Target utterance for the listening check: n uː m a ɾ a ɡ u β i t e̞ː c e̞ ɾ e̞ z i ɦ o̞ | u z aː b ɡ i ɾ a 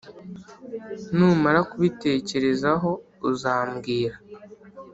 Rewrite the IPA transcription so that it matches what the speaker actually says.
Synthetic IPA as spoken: n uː m a ɾ a k u β i t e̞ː c e̞ ɾ e̞ z a ɦ o̞ | u z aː m ɡ iː ɾ a